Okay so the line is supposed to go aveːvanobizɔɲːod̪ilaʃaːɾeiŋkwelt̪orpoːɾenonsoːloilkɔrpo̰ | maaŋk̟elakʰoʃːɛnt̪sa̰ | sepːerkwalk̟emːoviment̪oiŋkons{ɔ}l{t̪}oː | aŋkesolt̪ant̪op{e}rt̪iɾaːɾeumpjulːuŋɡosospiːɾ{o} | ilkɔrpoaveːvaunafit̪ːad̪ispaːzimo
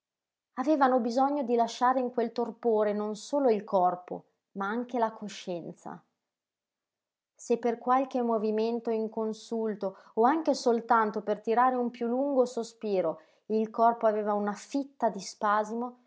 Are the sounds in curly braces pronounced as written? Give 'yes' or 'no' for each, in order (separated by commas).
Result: no, yes, yes, yes